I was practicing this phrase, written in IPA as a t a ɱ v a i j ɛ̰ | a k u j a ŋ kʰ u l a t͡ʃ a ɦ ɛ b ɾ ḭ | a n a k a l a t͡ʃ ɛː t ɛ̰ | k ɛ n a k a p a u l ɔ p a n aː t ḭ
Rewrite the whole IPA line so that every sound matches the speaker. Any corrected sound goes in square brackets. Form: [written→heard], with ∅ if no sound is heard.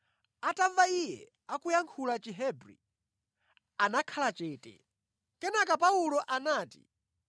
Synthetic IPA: a t a ɱ v a i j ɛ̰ | a k u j a ŋ kʰ u l a t͡ʃ [a→i] ɦ ɛ b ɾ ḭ | a n a [k→kʰ] a l a t͡ʃ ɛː t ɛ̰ | k ɛ n a k a p a u l ɔ [p→ʔ] a n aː t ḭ